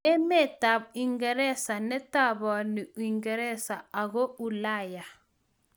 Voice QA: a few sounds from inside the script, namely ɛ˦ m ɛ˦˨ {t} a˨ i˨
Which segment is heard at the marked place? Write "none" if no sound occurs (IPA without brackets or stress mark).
t